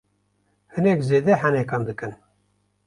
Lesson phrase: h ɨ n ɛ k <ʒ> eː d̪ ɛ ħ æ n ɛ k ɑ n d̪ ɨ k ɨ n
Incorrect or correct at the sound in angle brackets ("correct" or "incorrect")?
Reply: incorrect